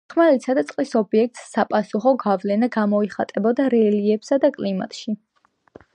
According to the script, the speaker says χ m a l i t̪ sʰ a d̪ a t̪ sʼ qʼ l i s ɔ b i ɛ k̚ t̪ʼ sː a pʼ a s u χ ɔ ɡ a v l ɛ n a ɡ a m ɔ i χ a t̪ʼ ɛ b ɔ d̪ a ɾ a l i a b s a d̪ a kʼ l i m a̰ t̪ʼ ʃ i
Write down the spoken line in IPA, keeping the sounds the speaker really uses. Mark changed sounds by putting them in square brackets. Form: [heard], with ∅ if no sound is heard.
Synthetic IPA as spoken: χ m a l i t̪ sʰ a d̪ a t̪ sʼ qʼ l i s ɔ b i ɛ k̚ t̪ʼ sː a pʼ a s u χ ɔ ɡ a v l ɛ n a ɡ a m ɔ i χ a t̪ʼ ɛ b ɔ d̪ a ɾ [ɛ] l i [ɛ] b s a d̪ a kʼ l i m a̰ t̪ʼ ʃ i